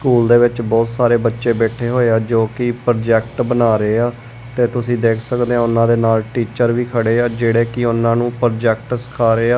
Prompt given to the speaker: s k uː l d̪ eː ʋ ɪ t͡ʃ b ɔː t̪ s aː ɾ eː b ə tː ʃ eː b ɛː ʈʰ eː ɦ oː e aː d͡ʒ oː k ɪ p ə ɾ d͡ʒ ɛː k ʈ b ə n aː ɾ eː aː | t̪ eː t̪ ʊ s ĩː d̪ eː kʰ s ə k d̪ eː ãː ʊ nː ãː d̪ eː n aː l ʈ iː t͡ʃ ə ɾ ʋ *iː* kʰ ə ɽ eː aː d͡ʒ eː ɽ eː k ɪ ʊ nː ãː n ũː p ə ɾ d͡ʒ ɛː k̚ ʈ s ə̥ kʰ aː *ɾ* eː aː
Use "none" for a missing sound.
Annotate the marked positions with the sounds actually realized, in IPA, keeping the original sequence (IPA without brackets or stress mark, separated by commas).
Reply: iː, ɾ